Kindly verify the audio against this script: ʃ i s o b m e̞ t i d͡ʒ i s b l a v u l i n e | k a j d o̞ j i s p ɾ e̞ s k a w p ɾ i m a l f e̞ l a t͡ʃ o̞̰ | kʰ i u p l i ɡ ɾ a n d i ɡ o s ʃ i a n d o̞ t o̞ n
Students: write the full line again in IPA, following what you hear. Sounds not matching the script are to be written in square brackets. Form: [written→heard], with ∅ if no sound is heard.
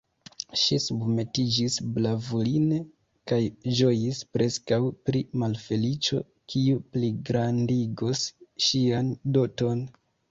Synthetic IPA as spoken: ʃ i s [o→u] b m e̞ t i d͡ʒ i s b l a v u l i n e | k a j [d→d͡ʒ] o̞ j i s p ɾ e̞ s k a w p ɾ i m a l f e̞ l [a→i] t͡ʃ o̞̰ | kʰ i u p l i ɡ ɾ a n d i ɡ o s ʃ i a n d o̞ t o̞ n